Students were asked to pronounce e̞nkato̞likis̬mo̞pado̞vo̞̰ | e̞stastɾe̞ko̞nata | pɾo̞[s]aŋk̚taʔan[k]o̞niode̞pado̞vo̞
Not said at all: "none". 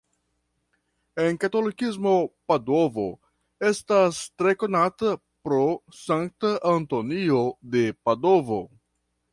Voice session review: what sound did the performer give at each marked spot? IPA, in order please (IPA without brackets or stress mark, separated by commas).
s, t